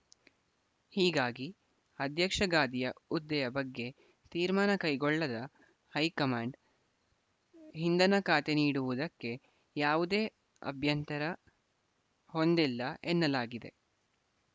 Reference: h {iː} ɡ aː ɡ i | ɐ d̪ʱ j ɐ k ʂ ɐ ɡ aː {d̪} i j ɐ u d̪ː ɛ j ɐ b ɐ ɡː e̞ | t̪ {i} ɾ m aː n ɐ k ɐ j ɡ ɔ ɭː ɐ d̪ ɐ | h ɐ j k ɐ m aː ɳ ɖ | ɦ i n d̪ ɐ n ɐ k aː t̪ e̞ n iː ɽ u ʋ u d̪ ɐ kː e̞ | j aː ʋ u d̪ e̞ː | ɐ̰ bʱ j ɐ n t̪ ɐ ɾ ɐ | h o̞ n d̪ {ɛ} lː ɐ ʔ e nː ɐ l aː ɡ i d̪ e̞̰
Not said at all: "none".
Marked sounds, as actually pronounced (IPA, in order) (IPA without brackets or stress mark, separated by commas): iː, d̪, iː, i